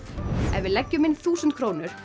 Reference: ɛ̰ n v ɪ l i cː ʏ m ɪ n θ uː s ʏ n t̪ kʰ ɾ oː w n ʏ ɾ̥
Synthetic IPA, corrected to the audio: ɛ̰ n v ɪ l ɛ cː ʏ m ɪ n θ uː s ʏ n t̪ kʰ ɾ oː w n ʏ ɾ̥